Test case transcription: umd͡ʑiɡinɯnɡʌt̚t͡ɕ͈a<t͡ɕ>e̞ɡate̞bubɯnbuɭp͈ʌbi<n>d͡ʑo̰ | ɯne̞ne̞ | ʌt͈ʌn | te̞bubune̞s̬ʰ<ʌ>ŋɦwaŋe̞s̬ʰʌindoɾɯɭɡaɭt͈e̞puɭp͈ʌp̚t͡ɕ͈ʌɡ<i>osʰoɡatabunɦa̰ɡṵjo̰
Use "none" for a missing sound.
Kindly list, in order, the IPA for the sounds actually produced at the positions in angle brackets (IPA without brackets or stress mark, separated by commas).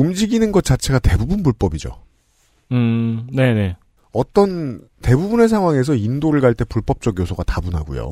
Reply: t͡ɕʰ, none, a, j